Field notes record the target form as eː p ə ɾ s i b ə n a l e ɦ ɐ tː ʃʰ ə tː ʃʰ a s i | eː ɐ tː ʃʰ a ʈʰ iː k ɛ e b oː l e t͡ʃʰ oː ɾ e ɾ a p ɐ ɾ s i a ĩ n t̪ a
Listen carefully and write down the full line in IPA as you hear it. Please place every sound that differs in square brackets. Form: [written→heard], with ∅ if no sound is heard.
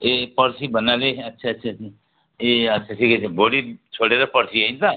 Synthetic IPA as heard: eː p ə ɾ s i b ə n a l e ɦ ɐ tː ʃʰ [ə→a] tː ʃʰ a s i | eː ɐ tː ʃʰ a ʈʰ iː k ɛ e b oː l [e→i] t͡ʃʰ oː [ɾ→ɽ] e ɾ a p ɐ ɾ s i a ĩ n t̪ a